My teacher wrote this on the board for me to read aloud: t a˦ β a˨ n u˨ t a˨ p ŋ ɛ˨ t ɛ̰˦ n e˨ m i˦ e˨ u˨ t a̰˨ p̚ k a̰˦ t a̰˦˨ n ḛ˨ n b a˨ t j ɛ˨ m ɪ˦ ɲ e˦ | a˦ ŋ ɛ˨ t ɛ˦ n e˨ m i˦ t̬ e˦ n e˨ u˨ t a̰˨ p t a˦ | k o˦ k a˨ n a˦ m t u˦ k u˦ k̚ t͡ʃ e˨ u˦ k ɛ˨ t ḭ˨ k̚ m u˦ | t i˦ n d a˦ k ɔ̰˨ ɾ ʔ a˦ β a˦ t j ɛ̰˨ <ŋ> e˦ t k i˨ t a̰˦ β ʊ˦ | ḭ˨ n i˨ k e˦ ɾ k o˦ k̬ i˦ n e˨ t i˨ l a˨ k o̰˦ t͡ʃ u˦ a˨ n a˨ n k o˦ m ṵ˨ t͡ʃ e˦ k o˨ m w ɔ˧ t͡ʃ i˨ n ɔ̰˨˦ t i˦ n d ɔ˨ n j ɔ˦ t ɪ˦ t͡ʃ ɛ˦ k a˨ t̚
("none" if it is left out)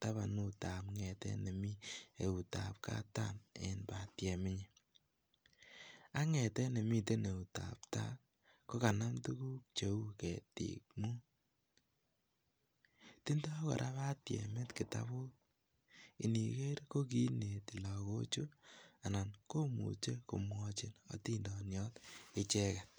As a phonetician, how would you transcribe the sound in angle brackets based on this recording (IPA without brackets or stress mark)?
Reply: m